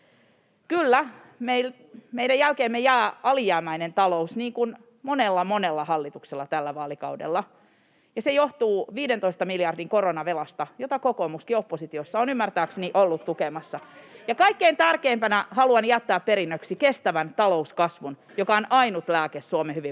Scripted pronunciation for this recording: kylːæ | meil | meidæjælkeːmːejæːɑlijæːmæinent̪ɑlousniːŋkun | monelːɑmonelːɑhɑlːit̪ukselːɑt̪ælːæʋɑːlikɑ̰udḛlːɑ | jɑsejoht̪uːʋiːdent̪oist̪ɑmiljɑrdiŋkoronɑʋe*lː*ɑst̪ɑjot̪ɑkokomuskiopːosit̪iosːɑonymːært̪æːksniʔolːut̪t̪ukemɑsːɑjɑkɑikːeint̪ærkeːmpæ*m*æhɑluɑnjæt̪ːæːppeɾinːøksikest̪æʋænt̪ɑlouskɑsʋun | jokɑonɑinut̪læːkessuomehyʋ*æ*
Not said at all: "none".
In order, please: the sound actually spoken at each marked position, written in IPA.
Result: l, n, i

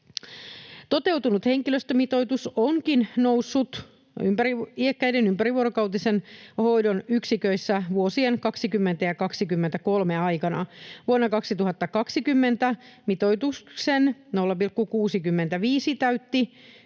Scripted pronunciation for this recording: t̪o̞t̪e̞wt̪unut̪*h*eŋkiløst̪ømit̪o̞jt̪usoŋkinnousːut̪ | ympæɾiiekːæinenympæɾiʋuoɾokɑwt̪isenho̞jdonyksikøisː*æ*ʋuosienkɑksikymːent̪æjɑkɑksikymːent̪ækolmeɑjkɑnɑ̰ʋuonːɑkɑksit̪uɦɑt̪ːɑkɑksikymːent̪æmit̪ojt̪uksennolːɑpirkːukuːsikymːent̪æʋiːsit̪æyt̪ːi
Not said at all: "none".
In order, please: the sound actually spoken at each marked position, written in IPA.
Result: h, æ

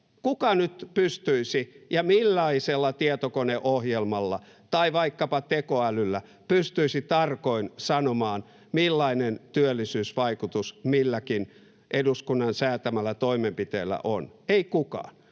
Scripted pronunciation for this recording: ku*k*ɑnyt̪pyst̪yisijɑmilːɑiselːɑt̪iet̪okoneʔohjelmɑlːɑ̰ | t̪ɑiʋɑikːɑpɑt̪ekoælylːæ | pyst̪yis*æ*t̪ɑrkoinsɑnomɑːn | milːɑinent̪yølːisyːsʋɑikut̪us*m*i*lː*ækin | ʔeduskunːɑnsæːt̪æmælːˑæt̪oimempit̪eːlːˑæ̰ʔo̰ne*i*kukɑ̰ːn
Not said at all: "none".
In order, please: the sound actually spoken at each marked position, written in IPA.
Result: k, i, m, lː, i

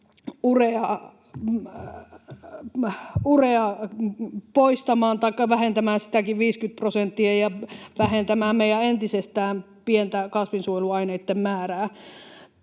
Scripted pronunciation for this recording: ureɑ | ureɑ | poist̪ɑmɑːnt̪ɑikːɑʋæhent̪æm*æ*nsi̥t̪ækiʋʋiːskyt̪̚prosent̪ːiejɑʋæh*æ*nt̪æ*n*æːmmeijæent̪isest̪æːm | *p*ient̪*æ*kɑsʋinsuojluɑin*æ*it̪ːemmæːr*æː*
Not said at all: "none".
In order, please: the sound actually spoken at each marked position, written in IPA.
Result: æː, e, m, p, æ, e, æː

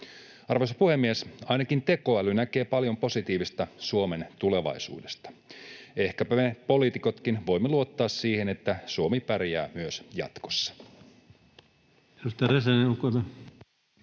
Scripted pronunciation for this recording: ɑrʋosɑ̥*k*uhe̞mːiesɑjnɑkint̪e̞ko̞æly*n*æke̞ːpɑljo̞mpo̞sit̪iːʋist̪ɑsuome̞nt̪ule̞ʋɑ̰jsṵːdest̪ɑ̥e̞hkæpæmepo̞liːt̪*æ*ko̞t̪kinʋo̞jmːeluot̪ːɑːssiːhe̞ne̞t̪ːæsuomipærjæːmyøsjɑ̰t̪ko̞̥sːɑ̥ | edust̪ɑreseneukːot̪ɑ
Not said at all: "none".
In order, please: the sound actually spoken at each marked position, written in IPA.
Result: p, n, i

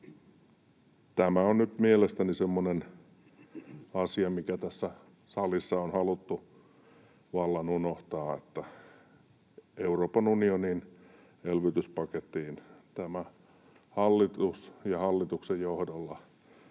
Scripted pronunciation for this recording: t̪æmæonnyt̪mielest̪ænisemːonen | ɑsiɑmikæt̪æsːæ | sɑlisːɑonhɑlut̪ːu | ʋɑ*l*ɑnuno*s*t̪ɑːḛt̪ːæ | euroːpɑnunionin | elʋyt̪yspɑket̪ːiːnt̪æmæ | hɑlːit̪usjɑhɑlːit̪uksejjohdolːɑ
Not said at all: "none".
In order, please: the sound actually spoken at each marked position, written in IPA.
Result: lː, h

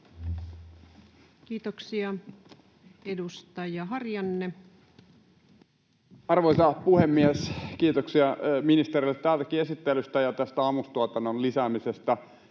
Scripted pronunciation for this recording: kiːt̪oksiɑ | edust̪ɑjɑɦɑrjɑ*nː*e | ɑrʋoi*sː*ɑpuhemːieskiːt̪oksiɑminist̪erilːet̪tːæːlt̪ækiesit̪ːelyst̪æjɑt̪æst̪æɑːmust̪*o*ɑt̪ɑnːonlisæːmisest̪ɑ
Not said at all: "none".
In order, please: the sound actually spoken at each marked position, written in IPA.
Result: nː, s, u

